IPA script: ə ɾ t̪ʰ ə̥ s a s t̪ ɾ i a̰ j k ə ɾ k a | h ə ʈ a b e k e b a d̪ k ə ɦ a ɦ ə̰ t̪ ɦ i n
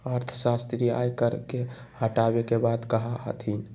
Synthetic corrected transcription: ə ɾ t̪ʰ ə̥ s a s t̪ ɾ i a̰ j k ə ɾ k e | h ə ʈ a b e k e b a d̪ k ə ɦ a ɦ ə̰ t̪ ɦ i n

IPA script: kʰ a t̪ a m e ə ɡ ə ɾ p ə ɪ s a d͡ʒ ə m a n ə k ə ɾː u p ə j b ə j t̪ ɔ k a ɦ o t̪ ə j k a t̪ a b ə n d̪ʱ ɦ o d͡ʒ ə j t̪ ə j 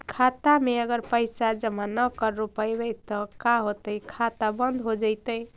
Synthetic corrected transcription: kʰ a t̪ a m e ə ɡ ə ɾ p ə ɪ s a d͡ʒ ə m a n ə k ə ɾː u p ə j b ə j t̪ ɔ k a ɦ o t̪ ə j kʰ a t̪ a b ə n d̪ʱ ɦ o d͡ʒ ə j t̪ ə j

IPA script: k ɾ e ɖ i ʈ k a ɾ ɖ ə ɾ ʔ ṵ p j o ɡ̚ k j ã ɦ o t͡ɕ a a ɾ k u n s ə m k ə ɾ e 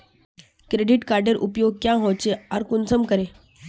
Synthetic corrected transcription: k ɾ e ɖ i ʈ k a ɾ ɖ ə ɾ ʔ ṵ p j o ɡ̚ k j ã ɦ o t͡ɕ e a ɾ k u n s ə m k ə ɾ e

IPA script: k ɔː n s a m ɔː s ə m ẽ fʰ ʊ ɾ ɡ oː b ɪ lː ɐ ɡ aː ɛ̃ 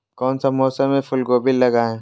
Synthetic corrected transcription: k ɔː n s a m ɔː s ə m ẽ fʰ ʊ l ɡ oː b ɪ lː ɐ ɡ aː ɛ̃

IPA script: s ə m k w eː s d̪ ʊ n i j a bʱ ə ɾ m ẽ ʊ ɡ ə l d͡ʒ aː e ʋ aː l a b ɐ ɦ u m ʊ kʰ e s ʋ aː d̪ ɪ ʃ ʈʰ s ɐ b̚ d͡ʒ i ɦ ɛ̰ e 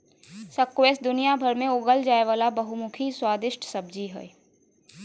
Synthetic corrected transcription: s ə k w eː s d̪ ʊ n i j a bʱ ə ɾ m ẽ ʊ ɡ ə l d͡ʒ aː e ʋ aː l a b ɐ ɦ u m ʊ kʰ i s w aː d̪ ɪ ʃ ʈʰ s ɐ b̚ d͡ʒ i ɦ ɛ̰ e

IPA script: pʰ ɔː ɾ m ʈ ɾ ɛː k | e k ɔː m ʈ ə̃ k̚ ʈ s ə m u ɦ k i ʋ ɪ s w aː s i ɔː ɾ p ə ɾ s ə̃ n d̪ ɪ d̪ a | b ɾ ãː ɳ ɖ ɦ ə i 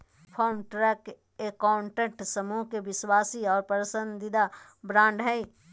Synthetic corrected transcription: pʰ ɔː ɾ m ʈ ɾ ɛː k | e k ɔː ɳ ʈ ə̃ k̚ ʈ s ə m u ɦ k e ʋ ɪ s w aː s i ɔː ɾ p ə ɾ s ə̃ n d̪ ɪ d̪ a | b ɾ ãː ɳ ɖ ɦ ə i

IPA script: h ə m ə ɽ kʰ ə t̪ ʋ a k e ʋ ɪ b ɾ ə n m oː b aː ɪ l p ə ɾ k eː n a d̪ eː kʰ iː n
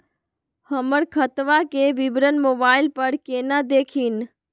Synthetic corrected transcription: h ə m ə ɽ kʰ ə t̪ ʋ a k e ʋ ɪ b ɾ ə n m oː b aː ɪ l p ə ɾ k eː n a d̪ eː kʰ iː n

